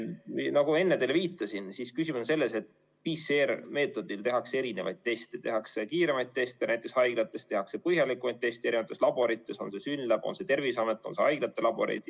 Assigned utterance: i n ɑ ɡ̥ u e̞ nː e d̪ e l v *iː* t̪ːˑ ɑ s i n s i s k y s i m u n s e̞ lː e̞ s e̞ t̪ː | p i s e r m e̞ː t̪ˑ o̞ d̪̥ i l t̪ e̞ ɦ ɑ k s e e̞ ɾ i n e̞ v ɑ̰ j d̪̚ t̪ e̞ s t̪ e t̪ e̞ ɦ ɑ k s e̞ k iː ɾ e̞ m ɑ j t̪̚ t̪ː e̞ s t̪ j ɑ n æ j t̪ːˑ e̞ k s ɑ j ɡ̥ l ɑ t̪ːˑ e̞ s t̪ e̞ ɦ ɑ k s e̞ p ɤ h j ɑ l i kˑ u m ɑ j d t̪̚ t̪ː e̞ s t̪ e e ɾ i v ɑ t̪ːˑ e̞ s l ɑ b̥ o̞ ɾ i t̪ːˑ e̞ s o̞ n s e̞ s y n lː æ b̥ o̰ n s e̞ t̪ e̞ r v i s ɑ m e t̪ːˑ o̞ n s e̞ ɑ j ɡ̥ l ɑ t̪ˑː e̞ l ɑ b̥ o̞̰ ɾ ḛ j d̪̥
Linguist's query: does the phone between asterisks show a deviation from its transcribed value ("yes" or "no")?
no